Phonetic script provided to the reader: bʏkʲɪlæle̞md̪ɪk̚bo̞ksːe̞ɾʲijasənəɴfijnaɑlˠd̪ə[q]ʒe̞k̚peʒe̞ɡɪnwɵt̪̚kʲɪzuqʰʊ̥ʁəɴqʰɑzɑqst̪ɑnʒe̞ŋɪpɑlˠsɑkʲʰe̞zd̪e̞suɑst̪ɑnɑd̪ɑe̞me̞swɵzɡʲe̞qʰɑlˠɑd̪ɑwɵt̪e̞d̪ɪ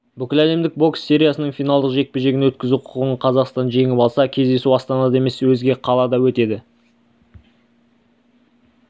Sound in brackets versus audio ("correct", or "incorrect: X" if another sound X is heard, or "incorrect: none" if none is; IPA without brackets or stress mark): correct